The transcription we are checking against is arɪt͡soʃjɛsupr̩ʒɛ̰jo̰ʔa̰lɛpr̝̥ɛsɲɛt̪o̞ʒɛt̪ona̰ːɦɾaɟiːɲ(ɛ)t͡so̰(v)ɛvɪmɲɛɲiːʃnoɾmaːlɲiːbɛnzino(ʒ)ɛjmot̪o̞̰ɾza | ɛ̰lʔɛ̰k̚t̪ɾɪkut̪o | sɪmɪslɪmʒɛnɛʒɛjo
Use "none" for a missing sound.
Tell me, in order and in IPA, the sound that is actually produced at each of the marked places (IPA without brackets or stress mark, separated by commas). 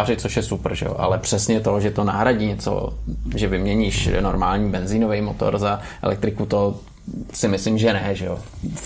ɛ, ʒ, v